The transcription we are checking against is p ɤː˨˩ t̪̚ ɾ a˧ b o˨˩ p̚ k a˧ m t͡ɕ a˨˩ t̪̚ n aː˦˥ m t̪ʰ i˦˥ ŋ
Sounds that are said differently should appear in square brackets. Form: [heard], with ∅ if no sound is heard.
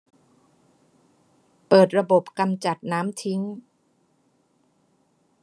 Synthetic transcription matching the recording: p ɤː˨˩ t̪̚ ɾ a˧ b o˨˩ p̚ k a˧ m t͡ɕ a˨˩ t̪̚ n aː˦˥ m t̪ʰ i˦˥ ŋ

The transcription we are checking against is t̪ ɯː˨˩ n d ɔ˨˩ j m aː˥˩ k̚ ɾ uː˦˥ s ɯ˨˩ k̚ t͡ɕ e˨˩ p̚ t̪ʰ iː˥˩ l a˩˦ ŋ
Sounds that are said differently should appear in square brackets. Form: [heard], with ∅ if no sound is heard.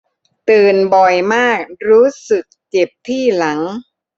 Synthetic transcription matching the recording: t̪ ɯː˨˩ n [b] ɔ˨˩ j m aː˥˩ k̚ ɾ uː˦˥ s ɯ˨˩ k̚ t͡ɕ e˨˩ p̚ t̪ʰ iː˥˩ l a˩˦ ŋ

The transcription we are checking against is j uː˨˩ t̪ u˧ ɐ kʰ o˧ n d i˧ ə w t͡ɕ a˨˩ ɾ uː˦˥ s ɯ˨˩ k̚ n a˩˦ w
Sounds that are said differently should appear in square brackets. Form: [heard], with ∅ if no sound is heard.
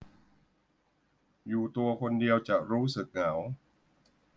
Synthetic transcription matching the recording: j uː˨˩ t̪ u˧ ɐ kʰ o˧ n d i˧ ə w t͡ɕ a˨˩ ɾ uː˦˥ s ɯ˨˩ k̚ [ŋ] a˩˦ w

